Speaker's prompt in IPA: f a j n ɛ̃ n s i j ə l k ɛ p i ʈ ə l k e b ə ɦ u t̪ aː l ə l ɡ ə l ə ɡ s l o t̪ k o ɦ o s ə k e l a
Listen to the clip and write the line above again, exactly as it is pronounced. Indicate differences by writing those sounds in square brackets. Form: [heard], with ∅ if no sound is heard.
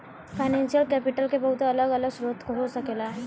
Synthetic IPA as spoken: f a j n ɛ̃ n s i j ə l k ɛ p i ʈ ə l k e b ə ɦ u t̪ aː l ə [∅] ɡ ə l ə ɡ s [ɾ] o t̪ k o ɦ o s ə k e l a